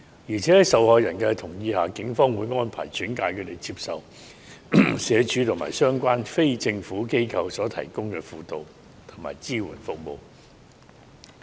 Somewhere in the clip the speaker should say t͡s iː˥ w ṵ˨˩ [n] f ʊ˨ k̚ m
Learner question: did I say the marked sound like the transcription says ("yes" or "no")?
yes